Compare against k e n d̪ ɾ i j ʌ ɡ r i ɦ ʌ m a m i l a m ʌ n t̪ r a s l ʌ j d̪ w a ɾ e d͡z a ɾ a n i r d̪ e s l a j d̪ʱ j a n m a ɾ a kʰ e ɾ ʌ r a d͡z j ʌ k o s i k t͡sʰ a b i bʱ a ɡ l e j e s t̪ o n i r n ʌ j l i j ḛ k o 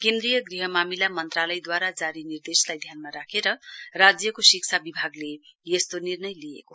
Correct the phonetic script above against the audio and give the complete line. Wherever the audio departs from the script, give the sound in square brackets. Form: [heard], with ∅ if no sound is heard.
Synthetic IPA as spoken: k e n d̪ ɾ i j ʌ ɡ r i ɦ ʌ m a m i l a m ʌ n t̪ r a [∅] l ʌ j d̪ w a ɾ [a] d͡z a ɾ [i] n i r d̪ e s l a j d̪ʱ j a n m a ɾ a kʰ e ɾ ʌ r a d͡z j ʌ k o s i k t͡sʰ a b i bʱ a ɡ l e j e s t̪ o n i r n ʌ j l i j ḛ k o